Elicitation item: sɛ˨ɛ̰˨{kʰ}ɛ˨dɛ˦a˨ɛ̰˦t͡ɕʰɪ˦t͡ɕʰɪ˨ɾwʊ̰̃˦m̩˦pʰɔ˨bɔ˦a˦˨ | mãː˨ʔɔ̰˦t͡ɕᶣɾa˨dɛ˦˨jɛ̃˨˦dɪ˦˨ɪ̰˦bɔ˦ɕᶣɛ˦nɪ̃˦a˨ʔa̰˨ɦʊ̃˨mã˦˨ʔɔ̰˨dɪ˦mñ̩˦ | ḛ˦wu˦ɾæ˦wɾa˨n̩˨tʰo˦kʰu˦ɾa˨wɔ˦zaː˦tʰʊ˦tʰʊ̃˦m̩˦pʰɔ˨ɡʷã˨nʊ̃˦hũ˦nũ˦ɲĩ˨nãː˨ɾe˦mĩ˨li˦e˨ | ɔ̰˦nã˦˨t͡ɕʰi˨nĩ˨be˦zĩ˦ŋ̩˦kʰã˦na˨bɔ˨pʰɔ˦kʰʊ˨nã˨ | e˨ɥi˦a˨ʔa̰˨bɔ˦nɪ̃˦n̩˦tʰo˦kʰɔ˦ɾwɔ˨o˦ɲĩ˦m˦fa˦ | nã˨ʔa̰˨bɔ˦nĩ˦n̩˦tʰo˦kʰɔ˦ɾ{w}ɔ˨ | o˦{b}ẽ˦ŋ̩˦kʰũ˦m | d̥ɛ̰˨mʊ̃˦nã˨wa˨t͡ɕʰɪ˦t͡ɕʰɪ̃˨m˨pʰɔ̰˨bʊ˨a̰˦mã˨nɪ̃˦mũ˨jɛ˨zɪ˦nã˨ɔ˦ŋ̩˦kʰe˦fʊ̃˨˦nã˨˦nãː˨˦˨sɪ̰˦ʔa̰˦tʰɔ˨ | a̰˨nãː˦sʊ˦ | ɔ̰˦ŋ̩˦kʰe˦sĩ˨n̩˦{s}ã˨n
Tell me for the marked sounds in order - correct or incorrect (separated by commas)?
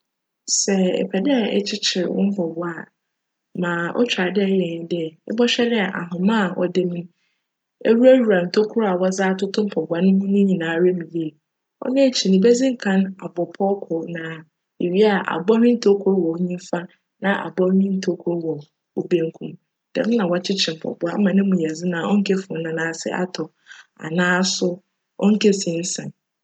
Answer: incorrect, correct, correct, correct